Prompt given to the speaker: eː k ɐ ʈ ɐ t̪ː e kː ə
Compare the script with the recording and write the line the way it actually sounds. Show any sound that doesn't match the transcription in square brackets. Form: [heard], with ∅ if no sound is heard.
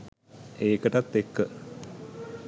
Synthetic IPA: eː k [ə] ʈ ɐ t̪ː e kː ə

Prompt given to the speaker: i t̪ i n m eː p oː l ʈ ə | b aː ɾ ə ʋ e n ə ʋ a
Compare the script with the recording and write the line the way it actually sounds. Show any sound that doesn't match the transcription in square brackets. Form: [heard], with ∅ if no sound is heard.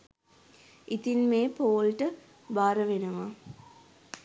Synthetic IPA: i t̪ i n m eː p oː l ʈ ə | b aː ɾ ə ʋ e n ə ʋ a

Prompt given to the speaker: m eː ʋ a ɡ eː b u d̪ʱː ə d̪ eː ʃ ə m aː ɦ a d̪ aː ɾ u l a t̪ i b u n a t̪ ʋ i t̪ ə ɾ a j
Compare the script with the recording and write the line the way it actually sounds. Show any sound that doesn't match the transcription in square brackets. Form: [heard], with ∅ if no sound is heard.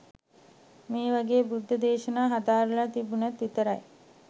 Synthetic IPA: m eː ʋ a ɡ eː b u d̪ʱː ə d̪ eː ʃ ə [n] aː ɦ a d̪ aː ɾ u l a t̪ i b u n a t̪ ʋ i t̪ ə ɾ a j

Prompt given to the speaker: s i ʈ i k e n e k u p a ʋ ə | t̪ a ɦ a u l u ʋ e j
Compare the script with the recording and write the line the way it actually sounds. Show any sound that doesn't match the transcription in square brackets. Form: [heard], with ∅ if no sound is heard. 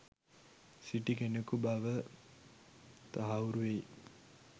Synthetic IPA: s i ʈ i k e n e k u [b] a ʋ ə | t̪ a ɦ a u [ɾ] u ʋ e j

